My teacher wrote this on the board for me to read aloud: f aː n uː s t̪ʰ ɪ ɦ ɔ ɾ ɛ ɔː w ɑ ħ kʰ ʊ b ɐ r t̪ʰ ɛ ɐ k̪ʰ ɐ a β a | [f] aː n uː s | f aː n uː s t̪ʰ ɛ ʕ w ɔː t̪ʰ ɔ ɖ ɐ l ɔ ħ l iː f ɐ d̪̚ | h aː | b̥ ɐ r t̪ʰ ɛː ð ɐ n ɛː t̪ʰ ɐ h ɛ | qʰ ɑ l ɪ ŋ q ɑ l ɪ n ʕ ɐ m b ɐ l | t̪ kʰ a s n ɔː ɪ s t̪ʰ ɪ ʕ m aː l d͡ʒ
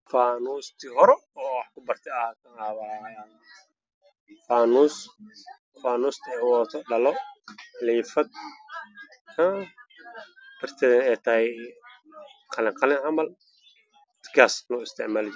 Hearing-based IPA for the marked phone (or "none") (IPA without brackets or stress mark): f